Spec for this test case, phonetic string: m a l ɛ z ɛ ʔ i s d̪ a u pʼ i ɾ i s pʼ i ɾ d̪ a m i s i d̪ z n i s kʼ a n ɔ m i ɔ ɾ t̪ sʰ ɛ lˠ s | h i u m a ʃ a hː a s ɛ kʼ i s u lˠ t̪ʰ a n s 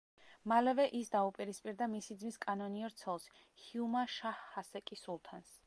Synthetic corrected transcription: m a l ɛ v ɛ ʔ i s d̪ a u pʼ i ɾ i s pʼ i ɾ d̪ a m i s i d̪ z m i s kʼ a n ɔ n i ɔ ɾ t̪ sʰ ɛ lˠ s | h i u m a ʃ a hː a s ɛ kʼ i s u lˠ t̪ʰ a n s